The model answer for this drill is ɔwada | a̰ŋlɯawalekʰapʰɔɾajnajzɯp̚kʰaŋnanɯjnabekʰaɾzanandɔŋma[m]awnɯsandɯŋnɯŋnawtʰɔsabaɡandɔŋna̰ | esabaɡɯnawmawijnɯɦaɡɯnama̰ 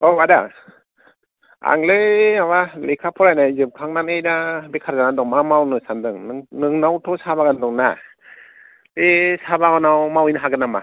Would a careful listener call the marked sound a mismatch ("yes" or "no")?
no